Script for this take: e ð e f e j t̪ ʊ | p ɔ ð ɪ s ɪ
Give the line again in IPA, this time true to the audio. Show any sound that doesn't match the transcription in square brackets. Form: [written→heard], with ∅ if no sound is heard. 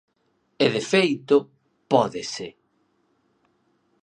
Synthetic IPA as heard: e ð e f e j t̪ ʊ | p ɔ ð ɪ s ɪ